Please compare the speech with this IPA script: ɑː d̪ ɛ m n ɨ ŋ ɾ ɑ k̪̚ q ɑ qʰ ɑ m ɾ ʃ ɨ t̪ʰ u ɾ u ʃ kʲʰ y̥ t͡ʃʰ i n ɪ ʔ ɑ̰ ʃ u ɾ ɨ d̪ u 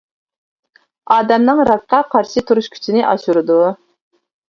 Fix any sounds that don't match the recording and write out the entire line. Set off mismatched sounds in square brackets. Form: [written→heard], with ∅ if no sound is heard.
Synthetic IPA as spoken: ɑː d̪ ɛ m n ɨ ŋ ɾ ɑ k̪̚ q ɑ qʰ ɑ [m→∅] ɾ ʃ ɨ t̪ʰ u ɾ u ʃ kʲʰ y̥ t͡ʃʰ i n ɪ ʔ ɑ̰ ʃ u ɾ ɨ d̪ u